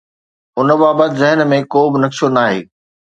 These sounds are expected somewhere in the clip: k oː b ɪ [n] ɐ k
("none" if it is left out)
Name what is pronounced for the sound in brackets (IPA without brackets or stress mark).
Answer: n